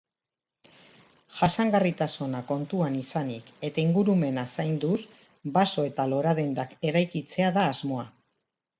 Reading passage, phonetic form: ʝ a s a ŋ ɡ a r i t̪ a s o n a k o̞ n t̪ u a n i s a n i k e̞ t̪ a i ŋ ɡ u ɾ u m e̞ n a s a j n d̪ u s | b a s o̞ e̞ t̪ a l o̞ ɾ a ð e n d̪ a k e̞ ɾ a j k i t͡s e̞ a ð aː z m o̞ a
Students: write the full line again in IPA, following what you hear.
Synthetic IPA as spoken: ʝ a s a ŋ ɡ a r i t̪ a s o n a k o̞ n t̪ u a n i s a n i k e̞ t̪ a i ŋ ɡ u ɾ u m e̞ n a s a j n d̪ u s | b a s o̞ e̞ t̪ a l o̞ ɾ a ð e n d̪ a k e̞ ɾ a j k i t͡s e̞ a ð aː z m o̞ a